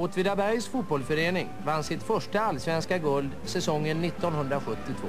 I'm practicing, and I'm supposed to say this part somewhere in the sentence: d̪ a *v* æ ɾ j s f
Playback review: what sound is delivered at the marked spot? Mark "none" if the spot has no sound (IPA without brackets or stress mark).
b